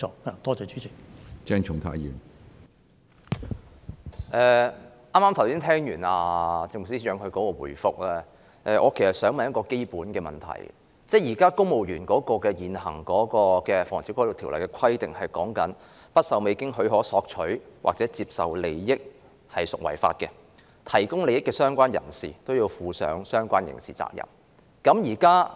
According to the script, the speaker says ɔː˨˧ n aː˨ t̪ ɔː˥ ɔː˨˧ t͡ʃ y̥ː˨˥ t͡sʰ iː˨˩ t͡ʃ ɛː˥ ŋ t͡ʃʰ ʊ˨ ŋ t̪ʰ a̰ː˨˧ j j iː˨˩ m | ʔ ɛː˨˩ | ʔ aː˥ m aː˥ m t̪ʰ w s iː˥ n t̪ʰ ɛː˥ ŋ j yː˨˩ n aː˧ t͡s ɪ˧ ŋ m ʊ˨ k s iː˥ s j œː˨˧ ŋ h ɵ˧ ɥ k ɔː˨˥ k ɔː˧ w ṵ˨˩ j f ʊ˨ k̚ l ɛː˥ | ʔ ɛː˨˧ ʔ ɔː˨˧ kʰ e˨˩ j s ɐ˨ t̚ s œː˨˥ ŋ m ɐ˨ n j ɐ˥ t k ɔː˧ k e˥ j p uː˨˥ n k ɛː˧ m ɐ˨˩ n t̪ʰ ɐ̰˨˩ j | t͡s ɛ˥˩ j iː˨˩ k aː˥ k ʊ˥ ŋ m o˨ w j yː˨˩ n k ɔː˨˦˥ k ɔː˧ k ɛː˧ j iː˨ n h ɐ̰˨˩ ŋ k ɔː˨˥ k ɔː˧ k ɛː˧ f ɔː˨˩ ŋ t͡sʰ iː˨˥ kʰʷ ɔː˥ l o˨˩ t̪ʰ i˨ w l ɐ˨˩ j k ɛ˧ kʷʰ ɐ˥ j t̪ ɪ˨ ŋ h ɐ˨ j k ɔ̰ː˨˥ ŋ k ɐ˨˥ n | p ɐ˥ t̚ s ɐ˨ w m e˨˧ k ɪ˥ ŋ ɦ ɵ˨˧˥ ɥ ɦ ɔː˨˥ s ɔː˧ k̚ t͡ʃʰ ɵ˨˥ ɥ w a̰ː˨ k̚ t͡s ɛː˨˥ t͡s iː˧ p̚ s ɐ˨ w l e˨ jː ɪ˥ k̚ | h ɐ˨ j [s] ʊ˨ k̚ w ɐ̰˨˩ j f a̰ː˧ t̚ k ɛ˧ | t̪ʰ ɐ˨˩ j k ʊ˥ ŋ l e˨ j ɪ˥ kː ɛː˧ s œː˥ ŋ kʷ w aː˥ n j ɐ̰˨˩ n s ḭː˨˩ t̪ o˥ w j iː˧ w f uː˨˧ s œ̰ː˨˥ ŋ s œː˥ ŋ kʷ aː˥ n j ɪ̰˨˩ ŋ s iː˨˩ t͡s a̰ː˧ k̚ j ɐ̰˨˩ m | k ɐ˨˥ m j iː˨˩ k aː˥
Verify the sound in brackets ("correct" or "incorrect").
correct